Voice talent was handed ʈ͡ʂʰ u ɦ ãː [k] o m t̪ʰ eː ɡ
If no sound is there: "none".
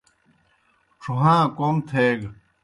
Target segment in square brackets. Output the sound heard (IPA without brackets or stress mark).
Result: k